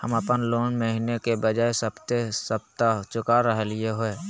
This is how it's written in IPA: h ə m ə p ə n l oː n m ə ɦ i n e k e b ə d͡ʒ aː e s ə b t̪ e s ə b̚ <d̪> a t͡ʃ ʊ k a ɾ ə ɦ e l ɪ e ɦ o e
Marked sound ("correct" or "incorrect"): incorrect